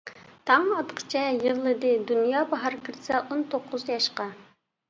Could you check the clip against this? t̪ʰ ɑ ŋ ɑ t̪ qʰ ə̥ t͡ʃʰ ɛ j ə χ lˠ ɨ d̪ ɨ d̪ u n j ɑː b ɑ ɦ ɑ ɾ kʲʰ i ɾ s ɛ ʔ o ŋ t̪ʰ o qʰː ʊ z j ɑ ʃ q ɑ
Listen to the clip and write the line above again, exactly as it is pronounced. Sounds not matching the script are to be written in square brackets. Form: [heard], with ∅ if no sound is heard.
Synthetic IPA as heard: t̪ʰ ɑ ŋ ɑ t̪ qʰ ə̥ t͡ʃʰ ɛ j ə [ʁ] lˠ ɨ d̪ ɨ d̪ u n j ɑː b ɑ ɦ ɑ ɾ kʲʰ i ɾ s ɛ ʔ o [n] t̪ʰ o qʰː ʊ z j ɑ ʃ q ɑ

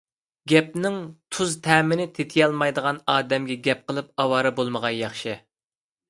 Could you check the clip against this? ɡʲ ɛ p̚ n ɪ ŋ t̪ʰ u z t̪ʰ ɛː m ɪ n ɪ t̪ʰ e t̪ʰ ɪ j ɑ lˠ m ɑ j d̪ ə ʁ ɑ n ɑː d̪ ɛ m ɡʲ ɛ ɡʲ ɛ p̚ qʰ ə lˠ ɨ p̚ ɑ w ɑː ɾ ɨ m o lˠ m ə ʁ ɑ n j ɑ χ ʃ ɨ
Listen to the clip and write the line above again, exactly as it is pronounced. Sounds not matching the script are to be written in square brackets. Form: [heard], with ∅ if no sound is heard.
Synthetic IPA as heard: ɡʲ ɛ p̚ n ɪ ŋ t̪ʰ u z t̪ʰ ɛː m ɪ n ɪ t̪ʰ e t̪ʰ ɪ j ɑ lˠ m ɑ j d̪ ə ʁ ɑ n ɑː d̪ ɛ m ɡʲ ɛ ɡʲ ɛ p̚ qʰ ə lˠ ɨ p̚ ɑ w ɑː ɾ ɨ [b] o lˠ m ə ʁ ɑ n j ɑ χ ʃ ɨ

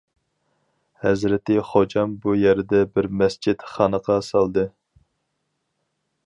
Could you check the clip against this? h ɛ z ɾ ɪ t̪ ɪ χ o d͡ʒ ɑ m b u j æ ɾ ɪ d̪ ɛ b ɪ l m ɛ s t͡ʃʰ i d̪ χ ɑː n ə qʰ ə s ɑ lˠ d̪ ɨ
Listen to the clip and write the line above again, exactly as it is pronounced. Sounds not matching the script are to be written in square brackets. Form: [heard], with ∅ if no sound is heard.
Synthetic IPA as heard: h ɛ z ɾ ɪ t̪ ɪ χ o d͡ʒ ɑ m b u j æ ɾ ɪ d̪ ɛ b ɪ [ɾ] m ɛ s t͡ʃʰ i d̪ χ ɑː n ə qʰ [ɑ] s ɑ lˠ d̪ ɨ

